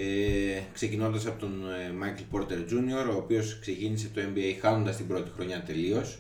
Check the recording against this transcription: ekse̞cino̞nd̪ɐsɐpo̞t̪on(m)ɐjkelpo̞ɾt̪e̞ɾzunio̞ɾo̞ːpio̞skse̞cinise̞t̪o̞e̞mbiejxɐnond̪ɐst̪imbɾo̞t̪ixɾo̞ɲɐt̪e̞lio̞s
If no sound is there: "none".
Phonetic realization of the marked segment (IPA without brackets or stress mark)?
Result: m